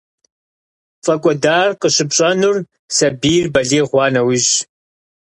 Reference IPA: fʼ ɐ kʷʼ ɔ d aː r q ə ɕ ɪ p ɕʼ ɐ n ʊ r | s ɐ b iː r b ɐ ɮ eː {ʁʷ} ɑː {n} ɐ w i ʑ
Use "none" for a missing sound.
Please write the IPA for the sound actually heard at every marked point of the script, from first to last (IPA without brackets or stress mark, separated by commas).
ʁʷ, n